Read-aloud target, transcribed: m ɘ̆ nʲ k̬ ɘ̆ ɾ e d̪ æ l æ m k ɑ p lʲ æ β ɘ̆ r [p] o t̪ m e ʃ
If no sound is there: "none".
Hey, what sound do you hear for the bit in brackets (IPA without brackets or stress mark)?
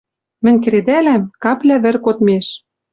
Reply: k